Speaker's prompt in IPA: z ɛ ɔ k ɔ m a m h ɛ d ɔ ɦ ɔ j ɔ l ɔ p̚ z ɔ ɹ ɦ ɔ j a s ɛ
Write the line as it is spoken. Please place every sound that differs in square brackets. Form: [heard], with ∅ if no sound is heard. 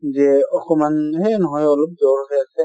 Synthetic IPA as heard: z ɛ ɔ k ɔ m a [n] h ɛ [n] ɔ ɦ ɔ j ɔ l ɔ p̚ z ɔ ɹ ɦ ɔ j a s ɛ